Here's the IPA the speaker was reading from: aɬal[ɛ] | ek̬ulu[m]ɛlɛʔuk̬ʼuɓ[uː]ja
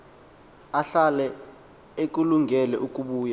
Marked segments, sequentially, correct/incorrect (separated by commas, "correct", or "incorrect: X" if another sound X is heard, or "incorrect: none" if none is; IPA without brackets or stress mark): correct, incorrect: ŋ, correct